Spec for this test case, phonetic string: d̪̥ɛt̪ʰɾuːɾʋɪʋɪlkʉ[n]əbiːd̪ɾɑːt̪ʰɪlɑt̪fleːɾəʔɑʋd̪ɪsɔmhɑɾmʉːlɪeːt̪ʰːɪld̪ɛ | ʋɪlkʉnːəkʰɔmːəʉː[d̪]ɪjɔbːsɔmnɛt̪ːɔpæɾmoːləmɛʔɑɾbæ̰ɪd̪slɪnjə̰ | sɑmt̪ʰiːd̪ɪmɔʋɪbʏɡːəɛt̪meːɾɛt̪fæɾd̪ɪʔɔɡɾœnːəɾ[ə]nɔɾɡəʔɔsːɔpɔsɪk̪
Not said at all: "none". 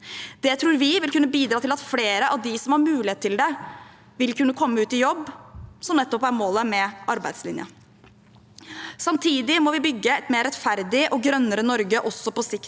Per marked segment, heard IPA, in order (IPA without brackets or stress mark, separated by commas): nː, t̪, ə